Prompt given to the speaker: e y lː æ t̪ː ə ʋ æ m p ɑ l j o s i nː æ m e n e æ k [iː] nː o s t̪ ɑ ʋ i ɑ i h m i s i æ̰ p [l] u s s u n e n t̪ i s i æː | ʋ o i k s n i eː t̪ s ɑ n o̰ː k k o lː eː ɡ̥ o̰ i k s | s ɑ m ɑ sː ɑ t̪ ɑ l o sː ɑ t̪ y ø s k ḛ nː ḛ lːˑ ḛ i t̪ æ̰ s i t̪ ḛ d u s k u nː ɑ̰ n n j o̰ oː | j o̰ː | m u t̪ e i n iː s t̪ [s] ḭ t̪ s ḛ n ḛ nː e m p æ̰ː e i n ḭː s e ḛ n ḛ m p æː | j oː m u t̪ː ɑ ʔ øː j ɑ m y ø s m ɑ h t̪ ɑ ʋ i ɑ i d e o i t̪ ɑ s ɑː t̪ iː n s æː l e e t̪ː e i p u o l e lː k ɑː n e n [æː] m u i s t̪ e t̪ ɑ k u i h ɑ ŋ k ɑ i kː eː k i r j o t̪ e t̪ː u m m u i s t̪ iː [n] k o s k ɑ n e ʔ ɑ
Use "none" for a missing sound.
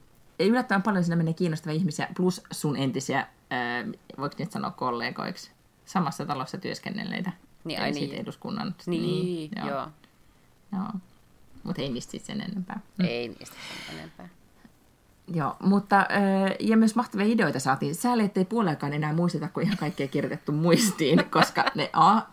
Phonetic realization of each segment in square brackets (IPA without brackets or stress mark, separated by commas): iː, l, s, æː, n